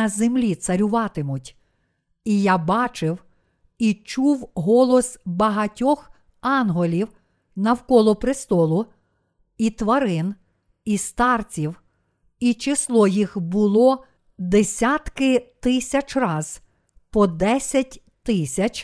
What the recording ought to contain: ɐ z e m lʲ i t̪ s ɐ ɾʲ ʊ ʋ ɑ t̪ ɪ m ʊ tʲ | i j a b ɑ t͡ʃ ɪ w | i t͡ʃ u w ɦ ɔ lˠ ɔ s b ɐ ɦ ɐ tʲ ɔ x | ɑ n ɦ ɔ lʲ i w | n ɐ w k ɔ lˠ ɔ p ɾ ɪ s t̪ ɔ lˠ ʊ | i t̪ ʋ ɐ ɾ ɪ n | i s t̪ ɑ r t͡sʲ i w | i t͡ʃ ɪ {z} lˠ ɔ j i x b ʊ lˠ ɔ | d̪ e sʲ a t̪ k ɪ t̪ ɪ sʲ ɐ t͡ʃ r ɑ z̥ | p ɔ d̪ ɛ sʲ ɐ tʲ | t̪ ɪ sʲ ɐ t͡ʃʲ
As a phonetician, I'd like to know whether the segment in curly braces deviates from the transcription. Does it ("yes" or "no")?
yes